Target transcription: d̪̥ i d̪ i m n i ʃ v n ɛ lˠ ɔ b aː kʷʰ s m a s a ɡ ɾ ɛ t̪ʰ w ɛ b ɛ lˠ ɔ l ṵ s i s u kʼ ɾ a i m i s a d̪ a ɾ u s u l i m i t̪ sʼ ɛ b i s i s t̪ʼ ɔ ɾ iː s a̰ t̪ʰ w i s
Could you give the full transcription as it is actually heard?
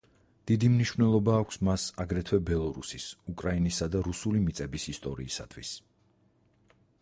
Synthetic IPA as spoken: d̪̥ i d̪ i m n i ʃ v n ɛ lˠ ɔ b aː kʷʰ s m a s a ɡ ɾ ɛ t̪ʰ w ɛ b ɛ lˠ ɔ ɾ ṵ s i s u kʼ ɾ a i n i s a d̪ a ɾ u s u l i m i t̪ sʼ ɛ b i s i s t̪ʼ ɔ ɾ iː s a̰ t̪ʰ w i s